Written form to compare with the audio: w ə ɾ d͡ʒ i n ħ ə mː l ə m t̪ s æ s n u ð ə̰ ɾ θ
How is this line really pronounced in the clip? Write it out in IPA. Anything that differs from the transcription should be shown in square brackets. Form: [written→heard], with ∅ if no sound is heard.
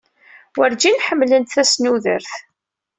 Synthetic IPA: w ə ɾ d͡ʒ i n ħ ə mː l ə [m→n] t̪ [s→θ] æ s n u ð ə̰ ɾ θ